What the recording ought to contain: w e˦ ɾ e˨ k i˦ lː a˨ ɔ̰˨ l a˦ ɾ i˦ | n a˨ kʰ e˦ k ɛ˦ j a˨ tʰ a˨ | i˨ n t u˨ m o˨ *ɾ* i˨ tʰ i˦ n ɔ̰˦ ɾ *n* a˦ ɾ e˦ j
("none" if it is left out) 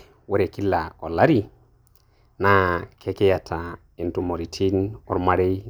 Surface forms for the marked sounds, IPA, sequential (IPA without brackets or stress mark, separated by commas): ɾ, m